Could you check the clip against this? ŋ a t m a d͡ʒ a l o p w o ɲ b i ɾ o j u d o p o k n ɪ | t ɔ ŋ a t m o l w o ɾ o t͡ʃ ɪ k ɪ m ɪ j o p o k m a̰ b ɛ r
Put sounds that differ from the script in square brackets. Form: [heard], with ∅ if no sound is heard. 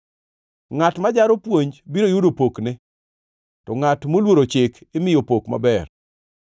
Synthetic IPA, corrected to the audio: ŋ a t m a d͡ʒ a [ɾ] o p w o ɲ b i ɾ o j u d o p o k n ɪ | t ɔ ŋ a t m o l w o ɾ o t͡ʃ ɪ k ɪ m ɪ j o p o k m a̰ b ɛ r